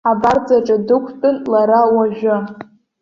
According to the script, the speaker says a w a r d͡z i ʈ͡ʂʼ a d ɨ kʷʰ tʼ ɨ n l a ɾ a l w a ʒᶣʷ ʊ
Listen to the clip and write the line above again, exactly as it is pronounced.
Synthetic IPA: a b a r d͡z a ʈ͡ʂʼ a d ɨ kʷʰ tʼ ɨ n l a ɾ a w a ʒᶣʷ ʊ